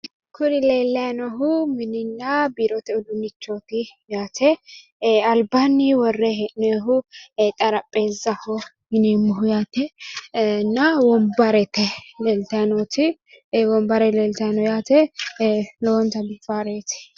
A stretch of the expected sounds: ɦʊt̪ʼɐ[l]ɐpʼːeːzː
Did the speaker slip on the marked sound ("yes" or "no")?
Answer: yes